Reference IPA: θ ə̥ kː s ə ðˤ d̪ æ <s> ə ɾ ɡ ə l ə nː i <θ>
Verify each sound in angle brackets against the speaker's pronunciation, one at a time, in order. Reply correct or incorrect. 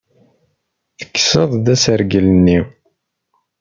correct, incorrect: none

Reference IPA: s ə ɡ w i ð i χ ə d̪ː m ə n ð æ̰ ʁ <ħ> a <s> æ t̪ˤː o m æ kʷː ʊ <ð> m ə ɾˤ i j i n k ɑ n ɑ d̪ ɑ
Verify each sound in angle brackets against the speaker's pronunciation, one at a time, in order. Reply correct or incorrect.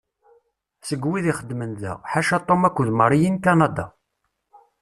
correct, incorrect: ʃ, correct

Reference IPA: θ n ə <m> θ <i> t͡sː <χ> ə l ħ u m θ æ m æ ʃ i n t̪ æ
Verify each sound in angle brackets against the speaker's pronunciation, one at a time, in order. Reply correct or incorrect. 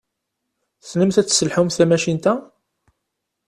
correct, incorrect: æ, incorrect: s

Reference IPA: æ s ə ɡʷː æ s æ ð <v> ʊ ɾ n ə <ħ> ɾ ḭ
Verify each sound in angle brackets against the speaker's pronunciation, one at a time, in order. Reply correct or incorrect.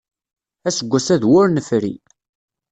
incorrect: w, incorrect: f

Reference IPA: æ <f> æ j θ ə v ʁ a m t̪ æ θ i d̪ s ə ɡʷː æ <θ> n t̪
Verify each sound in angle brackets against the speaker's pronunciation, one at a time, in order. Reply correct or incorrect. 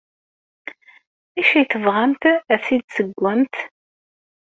incorrect: ʃ, incorrect: none

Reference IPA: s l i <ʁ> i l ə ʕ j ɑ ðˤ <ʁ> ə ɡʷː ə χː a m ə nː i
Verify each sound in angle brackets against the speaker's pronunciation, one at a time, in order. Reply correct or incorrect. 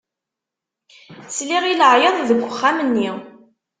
correct, incorrect: ð

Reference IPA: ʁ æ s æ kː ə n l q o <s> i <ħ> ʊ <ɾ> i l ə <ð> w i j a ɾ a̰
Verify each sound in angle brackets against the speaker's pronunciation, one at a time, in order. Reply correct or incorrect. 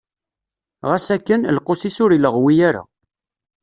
correct, incorrect: s, correct, incorrect: ʁ

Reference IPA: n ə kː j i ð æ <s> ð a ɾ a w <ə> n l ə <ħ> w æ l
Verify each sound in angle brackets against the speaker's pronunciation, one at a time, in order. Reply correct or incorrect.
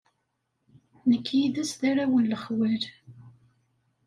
correct, correct, incorrect: χ

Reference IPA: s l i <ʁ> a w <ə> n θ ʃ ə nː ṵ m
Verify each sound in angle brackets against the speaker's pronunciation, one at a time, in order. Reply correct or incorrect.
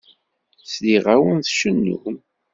correct, correct

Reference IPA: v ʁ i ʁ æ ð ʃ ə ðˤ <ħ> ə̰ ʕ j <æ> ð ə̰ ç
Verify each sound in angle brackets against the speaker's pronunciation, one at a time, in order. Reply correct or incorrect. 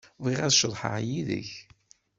correct, incorrect: i

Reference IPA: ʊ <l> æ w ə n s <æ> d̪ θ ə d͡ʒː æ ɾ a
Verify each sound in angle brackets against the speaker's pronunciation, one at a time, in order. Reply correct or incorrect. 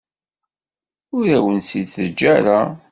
incorrect: ɾ, incorrect: i

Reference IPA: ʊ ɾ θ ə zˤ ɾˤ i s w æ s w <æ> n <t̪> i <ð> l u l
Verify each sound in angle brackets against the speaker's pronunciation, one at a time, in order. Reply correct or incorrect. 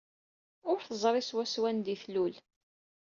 correct, incorrect: d̪, incorrect: θ

